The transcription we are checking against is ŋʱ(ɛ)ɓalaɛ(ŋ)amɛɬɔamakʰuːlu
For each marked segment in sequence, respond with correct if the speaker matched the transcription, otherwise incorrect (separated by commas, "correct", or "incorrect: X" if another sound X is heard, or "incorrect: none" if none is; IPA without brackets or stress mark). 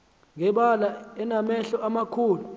correct, incorrect: n